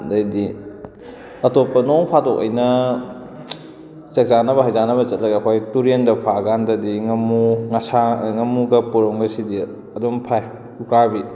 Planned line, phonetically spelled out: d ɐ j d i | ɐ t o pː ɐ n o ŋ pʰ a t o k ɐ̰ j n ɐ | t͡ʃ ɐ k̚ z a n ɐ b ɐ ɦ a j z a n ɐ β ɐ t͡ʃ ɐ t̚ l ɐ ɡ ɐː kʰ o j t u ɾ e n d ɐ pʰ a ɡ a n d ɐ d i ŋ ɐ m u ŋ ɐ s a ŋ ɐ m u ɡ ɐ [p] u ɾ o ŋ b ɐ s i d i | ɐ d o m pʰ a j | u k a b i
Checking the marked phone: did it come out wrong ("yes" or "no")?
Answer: no